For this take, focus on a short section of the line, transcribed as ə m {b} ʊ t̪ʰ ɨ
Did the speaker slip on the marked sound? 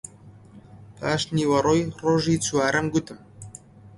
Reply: yes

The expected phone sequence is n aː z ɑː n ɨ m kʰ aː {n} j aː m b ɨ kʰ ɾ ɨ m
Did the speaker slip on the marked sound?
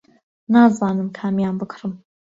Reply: yes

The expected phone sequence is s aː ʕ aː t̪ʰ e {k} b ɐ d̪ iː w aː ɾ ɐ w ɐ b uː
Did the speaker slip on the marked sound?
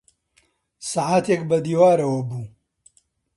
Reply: no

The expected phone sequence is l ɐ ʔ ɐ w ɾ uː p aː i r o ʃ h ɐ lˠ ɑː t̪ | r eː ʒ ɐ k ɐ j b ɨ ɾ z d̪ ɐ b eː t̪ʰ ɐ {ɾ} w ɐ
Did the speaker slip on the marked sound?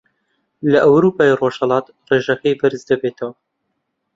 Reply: yes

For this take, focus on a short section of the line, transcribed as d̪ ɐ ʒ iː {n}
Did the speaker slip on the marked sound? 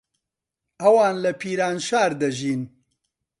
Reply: no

